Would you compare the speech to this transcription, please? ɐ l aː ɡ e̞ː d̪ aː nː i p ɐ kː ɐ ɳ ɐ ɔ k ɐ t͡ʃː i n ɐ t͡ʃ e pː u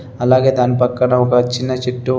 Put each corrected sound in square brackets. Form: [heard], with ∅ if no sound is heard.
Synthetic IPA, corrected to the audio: ɐ l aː ɡ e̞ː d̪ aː [n] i p ɐ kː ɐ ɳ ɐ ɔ k ɐ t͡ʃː i [nː] ɐ t͡ʃ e [ʈː] u